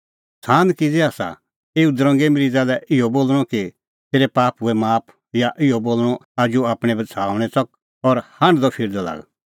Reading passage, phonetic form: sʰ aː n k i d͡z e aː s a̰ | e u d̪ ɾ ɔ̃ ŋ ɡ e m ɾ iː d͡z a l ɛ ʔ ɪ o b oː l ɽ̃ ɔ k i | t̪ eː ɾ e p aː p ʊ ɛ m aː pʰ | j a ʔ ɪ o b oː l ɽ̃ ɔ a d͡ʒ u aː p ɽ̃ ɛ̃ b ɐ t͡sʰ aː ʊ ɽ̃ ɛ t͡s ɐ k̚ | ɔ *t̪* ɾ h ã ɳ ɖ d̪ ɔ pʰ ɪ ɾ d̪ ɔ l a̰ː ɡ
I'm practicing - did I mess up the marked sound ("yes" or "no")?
yes